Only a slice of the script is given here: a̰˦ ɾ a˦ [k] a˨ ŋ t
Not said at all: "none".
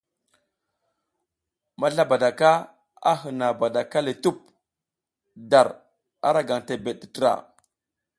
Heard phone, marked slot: ɡ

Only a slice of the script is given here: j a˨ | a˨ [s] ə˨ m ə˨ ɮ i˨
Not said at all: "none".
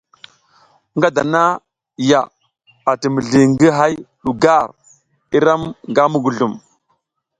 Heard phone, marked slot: t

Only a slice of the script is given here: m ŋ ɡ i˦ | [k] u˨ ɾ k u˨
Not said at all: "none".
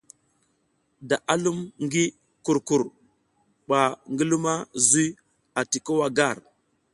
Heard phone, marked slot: k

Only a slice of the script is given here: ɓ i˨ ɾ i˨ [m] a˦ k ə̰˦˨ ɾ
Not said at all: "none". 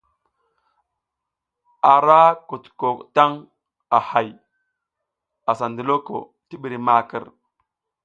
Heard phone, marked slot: m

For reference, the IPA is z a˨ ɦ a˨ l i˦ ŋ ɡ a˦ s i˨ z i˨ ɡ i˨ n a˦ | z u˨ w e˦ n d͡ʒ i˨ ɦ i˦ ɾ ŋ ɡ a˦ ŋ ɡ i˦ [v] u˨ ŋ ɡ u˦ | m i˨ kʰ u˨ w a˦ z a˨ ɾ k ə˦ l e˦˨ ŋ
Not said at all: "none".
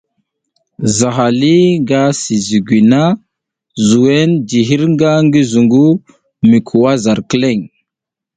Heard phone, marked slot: z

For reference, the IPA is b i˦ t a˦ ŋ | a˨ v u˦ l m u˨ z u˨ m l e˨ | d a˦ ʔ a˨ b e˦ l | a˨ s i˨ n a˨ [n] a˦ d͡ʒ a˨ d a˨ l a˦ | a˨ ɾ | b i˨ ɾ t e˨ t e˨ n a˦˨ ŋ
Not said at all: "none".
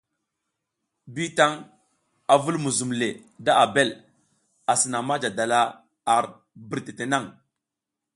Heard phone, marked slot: m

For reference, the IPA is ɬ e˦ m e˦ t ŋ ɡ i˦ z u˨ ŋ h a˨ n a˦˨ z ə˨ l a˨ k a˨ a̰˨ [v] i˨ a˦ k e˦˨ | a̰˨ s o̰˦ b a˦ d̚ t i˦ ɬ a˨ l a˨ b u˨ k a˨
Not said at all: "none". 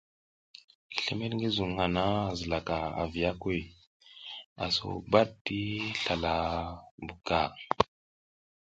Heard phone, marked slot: v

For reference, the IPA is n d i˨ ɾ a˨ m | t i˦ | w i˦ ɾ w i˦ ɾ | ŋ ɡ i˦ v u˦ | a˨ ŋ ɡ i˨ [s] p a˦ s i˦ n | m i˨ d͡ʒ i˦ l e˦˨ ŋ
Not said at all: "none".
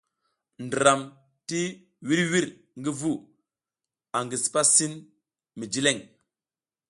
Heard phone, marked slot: s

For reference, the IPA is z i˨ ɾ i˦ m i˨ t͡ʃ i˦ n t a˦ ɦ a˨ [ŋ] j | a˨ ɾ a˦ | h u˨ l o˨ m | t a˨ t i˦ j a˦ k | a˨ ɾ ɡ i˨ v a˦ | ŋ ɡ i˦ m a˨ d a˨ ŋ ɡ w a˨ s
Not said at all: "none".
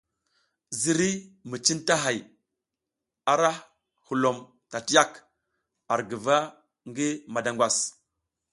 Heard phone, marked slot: none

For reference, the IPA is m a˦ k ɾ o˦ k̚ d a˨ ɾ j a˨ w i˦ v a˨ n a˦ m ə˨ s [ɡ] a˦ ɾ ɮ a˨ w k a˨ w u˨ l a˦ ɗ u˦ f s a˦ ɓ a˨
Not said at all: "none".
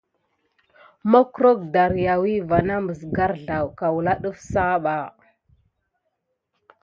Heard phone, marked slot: ɡ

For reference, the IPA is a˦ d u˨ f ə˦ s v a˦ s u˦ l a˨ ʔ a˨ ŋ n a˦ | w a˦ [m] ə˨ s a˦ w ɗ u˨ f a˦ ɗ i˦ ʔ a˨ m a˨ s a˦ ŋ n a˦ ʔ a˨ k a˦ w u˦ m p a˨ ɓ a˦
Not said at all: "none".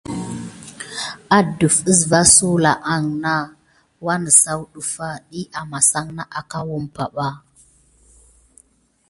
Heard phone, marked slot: n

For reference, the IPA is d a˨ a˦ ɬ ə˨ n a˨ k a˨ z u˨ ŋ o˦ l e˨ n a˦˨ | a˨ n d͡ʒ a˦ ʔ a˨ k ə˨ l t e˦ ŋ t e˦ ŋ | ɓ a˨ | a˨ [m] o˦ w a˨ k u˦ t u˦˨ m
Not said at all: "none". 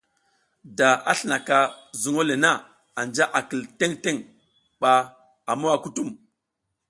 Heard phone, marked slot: m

